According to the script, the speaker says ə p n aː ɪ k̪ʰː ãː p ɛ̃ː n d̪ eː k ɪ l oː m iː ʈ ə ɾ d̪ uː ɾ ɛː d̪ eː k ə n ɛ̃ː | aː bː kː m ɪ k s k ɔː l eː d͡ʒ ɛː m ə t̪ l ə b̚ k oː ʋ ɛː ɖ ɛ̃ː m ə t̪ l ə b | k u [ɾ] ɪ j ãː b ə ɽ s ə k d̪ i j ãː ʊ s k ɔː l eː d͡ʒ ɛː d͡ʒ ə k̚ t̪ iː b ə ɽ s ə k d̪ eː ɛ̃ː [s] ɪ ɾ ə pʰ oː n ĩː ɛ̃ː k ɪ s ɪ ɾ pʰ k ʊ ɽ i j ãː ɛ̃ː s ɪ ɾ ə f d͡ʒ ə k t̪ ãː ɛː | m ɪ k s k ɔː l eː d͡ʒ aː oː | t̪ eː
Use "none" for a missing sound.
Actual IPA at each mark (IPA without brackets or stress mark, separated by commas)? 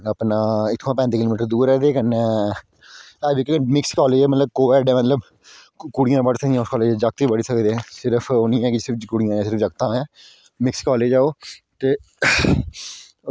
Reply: ɽ, s